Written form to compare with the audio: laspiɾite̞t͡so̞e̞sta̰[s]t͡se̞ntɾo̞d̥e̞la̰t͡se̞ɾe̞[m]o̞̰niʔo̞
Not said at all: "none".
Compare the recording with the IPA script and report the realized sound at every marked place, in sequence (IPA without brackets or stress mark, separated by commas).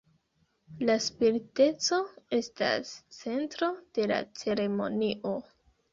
s, m